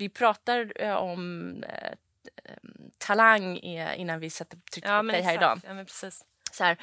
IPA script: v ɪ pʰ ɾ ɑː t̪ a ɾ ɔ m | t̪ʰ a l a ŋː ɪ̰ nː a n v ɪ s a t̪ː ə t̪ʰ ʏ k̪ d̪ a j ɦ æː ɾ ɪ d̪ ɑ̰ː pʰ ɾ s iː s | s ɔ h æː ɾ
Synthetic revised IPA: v ɪ pʰ ɾ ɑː t̪ a ɾ ɔ m | t̪ʰ a l a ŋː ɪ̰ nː a n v ɪ s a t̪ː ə t̪ʰ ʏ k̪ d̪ ɛ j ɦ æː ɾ ɪ d̪ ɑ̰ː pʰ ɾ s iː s | s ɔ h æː ɾ